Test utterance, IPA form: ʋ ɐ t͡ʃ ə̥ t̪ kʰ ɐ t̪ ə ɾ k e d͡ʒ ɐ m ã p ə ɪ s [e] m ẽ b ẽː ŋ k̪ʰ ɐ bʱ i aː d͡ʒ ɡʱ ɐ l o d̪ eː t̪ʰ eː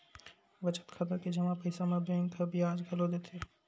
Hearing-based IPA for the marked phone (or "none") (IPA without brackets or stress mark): a